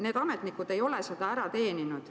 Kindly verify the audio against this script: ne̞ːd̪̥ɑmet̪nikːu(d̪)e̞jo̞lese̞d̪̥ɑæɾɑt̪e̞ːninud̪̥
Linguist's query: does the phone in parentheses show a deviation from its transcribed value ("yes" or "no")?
no